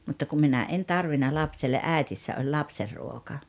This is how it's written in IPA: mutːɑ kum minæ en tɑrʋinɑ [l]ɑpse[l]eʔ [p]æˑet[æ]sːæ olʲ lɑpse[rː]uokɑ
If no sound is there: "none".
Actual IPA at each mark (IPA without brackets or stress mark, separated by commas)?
l, lː, ʔ, i, rː